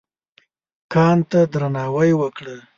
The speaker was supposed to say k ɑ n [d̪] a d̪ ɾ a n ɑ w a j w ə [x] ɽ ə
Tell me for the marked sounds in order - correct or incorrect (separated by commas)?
incorrect, incorrect